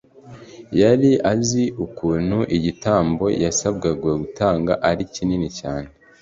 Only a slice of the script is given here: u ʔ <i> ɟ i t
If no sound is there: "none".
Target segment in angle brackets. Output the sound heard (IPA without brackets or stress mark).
i